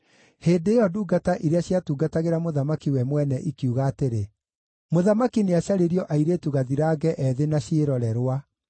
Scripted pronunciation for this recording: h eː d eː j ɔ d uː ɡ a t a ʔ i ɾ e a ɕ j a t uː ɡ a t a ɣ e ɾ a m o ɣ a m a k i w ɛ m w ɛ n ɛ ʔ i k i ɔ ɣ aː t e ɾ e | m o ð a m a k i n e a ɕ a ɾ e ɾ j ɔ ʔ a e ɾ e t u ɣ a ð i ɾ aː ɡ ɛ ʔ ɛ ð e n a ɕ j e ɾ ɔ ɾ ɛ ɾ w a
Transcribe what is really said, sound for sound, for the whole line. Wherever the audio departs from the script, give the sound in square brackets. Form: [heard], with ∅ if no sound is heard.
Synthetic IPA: h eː d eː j ɔ d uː ɡ a t a ʔ i ɾ e a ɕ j a t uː ɡ a t a ɣ e ɾ a m o [ð] a m a k i w ɛ m w ɛ n ɛ ʔ i k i [u] ɣ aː t e ɾ e | m o ð a m a k i n e a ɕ a ɾ e ɾ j ɔ ʔ a [i] ɾ e t u ɣ a ð i ɾ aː ɡ ɛ ʔ ɛ ð e n a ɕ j e ɾ ɔ ɾ ɛ ɾ w a